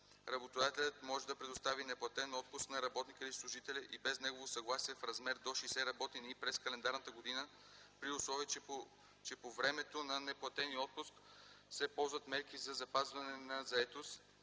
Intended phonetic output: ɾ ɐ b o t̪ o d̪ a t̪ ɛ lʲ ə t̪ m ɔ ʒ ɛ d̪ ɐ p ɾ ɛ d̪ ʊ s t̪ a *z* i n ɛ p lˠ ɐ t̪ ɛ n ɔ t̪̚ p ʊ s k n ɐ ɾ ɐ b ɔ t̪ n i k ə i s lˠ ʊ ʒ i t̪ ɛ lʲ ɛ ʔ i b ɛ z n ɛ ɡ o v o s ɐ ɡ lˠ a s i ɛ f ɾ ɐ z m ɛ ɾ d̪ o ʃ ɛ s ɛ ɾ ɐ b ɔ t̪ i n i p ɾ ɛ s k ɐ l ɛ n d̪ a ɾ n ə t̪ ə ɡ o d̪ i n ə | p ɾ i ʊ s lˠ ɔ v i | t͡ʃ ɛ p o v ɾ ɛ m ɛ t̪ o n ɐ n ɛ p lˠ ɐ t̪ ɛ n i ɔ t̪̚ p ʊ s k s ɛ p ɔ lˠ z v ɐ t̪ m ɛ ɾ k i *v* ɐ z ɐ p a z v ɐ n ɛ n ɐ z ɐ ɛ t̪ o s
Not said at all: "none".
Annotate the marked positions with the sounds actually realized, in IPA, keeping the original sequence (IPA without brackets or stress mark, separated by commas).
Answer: v, z